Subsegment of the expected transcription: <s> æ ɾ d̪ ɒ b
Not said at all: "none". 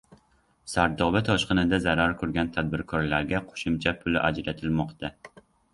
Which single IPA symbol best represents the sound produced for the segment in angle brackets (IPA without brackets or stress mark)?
s